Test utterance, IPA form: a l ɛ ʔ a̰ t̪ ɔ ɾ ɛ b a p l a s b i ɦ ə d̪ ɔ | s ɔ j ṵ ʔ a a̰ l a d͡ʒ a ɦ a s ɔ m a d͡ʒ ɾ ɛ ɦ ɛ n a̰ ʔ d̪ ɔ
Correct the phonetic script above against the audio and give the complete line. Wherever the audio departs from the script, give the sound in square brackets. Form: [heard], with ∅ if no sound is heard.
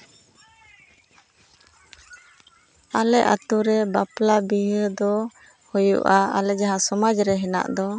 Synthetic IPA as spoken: a l ɛ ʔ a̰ t̪ [u] ɾ ɛ b a p l a [∅] b i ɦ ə d̪ ɔ | [h] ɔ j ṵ ʔ a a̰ l [ɛ] d͡ʒ a ɦ a s ɔ m a d͡ʒ ɾ ɛ ɦ ɛ n a̰ ʔ d̪ ɔ

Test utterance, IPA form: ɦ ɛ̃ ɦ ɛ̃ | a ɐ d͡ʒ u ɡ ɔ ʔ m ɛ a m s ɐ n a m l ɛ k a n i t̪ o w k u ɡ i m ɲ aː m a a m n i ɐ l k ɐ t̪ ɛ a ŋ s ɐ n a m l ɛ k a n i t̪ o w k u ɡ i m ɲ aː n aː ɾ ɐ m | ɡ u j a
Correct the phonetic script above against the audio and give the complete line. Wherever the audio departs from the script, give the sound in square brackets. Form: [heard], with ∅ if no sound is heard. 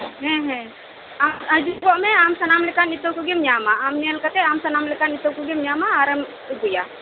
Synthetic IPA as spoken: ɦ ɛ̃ ɦ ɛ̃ | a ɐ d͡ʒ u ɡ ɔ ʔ m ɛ a m s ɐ n a m l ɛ k a n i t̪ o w k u ɡ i m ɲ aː m a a m n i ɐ l k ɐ t̪ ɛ a [m] s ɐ n a m l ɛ k a n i t̪ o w k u ɡ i m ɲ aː [m] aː ɾ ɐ m | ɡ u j a

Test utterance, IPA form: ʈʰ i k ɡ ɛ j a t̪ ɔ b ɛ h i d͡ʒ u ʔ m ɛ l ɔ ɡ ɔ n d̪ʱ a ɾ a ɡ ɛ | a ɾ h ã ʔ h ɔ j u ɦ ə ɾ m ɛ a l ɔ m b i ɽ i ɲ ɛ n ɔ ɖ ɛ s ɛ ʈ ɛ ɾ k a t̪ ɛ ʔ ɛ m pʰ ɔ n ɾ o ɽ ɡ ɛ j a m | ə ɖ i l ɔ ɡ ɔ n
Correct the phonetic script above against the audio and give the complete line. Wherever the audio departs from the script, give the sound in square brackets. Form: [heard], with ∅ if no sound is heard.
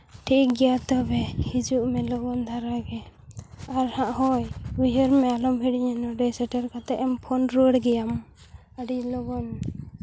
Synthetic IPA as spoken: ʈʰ i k ɡ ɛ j a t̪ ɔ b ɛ h i d͡ʒ u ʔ m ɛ l ɔ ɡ ɔ n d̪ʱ a ɾ a ɡ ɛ | a ɾ h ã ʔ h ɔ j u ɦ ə ɾ m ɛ a l ɔ m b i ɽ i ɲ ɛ n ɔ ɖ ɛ s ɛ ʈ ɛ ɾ k a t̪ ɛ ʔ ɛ m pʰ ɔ n ɾ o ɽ ɡ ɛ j a m | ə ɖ i l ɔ ɡ ɔ n

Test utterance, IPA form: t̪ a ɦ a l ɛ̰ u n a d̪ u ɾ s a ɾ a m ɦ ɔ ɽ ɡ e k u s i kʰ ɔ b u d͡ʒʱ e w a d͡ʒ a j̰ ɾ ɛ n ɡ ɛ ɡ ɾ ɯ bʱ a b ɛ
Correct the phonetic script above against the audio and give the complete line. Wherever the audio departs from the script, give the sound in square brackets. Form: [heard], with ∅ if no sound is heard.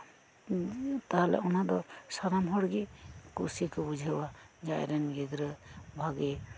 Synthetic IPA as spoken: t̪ a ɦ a l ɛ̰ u n a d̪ [ɔ] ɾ s a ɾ a m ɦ ɔ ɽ ɡ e k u s i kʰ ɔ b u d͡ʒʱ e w a d͡ʒ a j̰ ɾ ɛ n ɡ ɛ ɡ ɾ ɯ bʱ a [ɡ] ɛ

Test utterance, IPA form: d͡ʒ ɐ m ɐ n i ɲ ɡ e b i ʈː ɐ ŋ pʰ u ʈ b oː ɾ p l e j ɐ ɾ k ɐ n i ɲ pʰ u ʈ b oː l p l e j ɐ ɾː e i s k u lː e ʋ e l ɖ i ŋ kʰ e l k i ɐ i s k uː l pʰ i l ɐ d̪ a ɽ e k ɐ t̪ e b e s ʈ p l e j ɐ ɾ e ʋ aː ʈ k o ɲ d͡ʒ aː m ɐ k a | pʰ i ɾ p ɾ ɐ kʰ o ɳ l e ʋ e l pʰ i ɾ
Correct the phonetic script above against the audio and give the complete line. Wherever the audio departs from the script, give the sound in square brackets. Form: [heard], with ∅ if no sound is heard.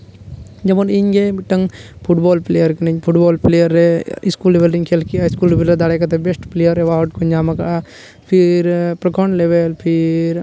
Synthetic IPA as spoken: d͡ʒ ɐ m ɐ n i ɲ ɡ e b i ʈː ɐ ŋ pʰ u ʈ b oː [l] p l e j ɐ ɾ k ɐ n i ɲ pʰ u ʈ b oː l p l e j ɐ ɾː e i s k u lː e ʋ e l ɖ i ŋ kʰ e l k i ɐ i s k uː l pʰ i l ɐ d̪ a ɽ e k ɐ t̪ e b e s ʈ p l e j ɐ ɾ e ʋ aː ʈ k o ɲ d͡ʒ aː m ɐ k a | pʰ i ɾ p ɾ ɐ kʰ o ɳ l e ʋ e l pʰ i ɾ

